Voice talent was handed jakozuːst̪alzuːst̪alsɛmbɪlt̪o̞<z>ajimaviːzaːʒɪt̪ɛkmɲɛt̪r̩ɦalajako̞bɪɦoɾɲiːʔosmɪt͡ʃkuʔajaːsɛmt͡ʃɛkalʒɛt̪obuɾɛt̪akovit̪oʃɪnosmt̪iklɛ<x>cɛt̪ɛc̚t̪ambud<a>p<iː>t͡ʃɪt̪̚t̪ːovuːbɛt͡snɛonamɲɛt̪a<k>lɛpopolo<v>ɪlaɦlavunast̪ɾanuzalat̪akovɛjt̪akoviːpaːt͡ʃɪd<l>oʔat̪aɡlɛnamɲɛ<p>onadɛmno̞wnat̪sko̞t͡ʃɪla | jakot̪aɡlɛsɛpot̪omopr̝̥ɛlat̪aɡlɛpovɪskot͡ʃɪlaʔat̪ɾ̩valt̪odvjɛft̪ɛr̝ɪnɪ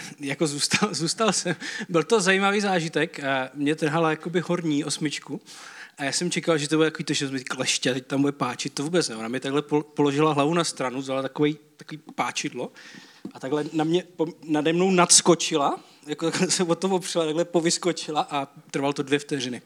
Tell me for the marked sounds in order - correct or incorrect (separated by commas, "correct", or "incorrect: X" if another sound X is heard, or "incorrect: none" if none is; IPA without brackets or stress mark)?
correct, incorrect: ʃ, incorrect: ɛ, incorrect: aː, incorrect: ɡ, incorrect: ʒ, correct, correct